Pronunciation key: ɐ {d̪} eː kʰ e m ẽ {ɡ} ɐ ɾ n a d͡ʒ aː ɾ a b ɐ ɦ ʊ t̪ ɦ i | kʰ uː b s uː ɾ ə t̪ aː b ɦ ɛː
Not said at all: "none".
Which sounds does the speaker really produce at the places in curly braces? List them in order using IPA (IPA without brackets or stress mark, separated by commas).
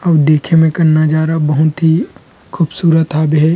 d̪, k